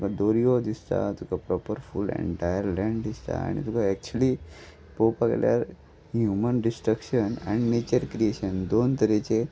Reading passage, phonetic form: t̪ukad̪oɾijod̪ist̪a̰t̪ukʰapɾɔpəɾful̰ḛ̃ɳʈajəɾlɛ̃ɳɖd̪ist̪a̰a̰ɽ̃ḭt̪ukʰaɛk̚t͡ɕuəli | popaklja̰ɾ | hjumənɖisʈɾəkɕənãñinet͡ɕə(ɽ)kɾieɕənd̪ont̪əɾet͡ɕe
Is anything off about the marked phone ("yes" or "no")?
yes